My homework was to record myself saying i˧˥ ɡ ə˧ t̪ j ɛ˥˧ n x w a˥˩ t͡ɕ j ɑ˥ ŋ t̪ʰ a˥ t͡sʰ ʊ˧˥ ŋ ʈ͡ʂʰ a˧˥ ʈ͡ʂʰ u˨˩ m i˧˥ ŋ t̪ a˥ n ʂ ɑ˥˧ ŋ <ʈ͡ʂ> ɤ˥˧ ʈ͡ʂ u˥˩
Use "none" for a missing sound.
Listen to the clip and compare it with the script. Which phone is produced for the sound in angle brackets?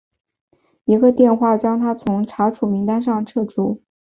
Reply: ʈ͡ʂʰ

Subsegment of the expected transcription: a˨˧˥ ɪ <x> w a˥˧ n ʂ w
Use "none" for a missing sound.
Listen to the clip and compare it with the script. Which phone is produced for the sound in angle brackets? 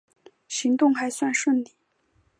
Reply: s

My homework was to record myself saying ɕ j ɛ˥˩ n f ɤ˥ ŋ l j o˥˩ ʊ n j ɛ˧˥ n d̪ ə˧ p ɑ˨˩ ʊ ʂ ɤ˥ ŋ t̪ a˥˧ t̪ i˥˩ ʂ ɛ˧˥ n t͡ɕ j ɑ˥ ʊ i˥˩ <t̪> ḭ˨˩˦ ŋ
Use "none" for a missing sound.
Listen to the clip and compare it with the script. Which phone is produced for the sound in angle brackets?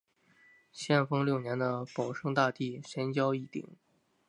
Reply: t̪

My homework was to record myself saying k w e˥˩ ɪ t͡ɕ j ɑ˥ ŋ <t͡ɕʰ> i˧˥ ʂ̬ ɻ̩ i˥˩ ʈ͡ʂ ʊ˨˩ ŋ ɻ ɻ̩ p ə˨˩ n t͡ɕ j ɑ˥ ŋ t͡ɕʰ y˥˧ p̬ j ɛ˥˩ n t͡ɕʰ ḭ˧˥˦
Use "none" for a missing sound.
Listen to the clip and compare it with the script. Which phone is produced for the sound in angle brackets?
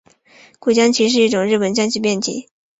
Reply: t͡ɕʰ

